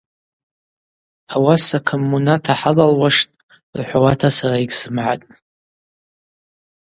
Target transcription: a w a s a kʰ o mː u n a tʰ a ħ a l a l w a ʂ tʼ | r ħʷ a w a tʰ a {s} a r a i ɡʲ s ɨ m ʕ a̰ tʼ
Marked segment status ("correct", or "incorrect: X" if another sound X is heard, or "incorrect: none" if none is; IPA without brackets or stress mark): correct